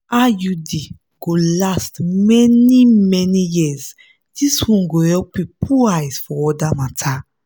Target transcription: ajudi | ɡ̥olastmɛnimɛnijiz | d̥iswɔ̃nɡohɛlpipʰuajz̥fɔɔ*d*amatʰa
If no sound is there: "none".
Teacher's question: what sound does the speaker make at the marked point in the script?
d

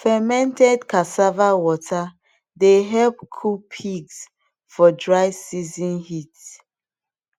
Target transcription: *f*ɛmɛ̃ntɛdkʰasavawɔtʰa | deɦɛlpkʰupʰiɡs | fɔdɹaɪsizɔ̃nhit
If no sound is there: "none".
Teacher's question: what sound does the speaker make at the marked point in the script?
f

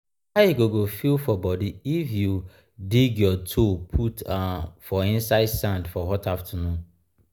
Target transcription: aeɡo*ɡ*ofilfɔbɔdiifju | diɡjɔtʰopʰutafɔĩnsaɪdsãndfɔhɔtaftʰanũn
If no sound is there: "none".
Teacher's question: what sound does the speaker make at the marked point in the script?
ɡ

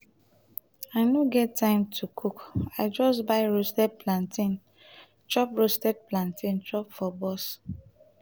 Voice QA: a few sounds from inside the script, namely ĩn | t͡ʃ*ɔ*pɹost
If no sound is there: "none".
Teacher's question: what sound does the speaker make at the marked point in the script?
ɔ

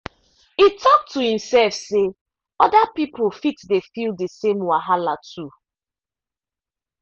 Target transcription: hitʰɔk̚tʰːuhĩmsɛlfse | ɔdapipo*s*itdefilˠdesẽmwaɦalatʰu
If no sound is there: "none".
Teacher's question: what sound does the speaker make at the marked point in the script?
f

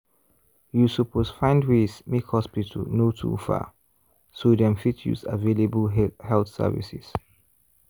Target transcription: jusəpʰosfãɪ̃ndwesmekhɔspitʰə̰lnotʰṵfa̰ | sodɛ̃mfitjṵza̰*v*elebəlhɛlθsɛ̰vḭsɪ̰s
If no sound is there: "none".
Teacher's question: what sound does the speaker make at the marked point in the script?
v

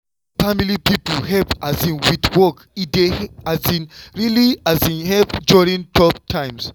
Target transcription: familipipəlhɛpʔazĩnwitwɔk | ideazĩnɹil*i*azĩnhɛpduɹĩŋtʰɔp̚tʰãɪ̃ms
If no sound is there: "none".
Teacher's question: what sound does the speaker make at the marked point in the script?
i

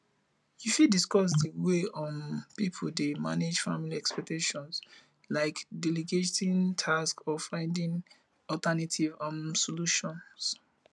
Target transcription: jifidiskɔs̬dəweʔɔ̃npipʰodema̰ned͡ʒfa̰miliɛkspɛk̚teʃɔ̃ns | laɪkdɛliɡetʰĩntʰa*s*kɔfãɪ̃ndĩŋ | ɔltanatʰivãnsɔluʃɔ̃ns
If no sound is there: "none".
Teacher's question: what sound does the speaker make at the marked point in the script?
s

